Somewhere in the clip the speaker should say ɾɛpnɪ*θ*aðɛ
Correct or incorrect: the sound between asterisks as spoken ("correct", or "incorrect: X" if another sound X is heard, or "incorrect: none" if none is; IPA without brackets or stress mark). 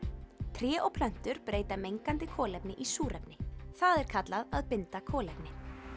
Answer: correct